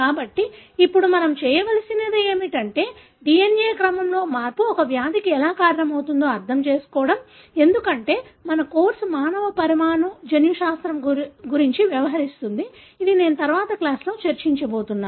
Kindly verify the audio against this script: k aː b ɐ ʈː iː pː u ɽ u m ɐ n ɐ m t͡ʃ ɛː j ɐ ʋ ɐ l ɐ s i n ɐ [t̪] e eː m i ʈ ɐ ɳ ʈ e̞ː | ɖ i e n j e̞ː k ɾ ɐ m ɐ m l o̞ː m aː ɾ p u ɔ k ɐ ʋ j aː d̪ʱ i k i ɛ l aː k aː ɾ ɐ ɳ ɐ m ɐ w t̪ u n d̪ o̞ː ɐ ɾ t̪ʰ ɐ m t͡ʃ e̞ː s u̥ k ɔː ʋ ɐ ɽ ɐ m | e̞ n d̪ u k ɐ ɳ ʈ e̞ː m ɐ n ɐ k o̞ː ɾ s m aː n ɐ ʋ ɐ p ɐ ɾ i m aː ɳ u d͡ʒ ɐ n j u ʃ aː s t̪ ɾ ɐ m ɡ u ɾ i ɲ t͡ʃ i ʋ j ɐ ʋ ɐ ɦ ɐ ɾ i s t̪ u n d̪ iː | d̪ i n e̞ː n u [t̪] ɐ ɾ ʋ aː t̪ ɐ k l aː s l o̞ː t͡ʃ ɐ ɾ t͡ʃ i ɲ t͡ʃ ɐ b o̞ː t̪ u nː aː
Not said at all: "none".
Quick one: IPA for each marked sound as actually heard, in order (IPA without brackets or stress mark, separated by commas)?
d̪, t̪